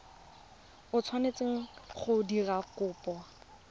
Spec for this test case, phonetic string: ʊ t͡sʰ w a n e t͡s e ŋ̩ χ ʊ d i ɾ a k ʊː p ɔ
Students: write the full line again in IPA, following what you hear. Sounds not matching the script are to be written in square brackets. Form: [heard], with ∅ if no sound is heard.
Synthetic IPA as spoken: ʊ t͡sʰ w a n e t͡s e ŋ̩ χ ʊ d i [r] a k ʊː p ɔ